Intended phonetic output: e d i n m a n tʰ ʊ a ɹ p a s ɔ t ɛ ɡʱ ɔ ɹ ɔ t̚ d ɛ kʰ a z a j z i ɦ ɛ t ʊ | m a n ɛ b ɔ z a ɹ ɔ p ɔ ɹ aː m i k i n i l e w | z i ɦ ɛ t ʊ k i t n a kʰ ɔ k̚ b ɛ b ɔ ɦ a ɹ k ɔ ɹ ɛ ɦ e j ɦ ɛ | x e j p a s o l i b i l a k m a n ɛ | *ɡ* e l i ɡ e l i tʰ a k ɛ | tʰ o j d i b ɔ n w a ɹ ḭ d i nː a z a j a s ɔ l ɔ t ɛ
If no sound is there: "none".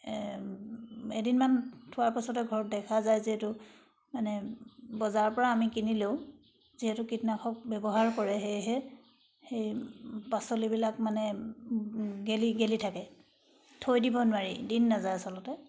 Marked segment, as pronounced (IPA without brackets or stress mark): ɡ